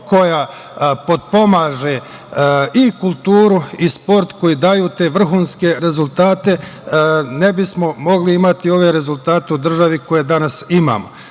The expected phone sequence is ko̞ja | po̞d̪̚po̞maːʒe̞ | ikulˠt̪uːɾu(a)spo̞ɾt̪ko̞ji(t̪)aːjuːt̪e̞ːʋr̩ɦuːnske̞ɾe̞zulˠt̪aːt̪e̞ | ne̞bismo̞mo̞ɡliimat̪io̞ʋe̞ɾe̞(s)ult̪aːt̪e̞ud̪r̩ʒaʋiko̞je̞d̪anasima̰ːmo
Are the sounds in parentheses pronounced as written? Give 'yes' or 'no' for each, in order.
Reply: no, no, no

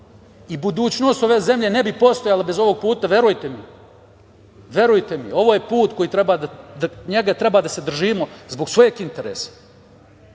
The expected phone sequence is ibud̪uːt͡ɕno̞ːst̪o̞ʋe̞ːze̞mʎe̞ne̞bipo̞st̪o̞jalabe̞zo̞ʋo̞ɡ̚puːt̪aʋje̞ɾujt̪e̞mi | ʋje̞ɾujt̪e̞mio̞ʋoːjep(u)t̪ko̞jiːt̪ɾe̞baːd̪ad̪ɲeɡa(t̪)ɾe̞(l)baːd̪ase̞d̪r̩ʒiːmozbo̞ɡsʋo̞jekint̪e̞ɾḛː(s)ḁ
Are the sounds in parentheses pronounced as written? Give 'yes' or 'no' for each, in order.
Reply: no, yes, no, yes

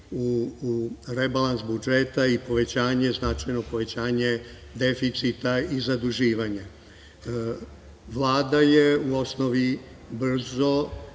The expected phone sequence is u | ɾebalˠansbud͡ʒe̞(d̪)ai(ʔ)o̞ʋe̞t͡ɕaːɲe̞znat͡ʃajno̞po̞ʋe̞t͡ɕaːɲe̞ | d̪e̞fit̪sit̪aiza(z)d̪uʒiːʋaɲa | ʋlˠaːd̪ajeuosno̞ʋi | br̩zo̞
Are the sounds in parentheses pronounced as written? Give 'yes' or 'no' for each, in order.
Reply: no, no, no

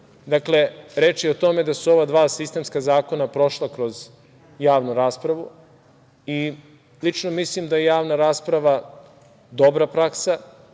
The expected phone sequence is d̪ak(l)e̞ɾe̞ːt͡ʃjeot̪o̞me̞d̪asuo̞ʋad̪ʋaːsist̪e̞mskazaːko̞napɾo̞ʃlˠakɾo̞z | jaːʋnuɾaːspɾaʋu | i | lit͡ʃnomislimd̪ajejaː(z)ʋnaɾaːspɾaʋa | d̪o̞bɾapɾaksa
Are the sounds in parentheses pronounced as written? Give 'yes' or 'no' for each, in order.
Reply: yes, no

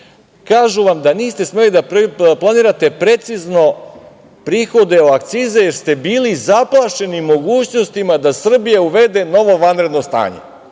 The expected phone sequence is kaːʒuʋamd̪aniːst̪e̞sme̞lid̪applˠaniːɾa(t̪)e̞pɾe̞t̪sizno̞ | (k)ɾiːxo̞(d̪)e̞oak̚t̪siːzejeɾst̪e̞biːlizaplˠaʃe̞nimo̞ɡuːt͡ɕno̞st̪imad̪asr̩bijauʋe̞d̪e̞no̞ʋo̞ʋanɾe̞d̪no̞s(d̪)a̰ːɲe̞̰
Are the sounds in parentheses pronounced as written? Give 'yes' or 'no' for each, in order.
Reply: yes, no, yes, no

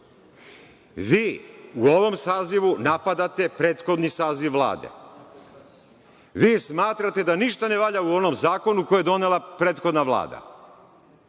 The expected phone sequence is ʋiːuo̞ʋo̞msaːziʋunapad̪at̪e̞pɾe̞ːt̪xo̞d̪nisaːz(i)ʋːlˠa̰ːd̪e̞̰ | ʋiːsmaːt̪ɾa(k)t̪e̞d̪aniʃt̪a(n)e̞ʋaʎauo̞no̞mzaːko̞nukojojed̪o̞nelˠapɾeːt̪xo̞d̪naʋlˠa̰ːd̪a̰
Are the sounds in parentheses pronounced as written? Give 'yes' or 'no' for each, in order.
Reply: yes, no, yes

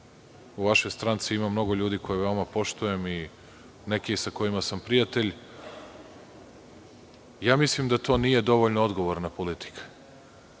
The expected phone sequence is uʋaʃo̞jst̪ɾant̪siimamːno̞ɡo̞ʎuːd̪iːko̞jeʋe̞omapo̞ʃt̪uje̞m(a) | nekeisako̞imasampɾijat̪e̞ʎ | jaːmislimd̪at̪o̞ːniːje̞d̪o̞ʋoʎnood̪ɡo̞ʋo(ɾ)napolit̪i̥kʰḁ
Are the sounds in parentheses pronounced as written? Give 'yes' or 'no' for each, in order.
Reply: no, yes

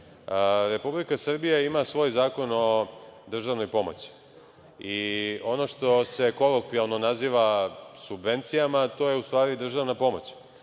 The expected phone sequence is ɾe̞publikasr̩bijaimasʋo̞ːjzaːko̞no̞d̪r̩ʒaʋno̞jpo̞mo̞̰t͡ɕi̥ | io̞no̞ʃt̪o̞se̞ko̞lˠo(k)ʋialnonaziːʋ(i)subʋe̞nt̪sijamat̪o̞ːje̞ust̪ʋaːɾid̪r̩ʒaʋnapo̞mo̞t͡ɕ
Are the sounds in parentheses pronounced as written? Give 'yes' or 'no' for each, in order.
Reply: yes, no

